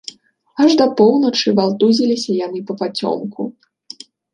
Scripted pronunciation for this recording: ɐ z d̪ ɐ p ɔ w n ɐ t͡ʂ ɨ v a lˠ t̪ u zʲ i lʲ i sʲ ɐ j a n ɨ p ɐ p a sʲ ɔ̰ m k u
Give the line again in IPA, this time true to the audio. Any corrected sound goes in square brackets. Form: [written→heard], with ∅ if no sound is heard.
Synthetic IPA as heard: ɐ [z→ʐ] d̪ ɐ p ɔ w n ɐ t͡ʂ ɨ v a lˠ t̪ u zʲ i lʲ i sʲ ɐ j a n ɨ p ɐ p a [sʲ→t͡sʲ] ɔ̰ m k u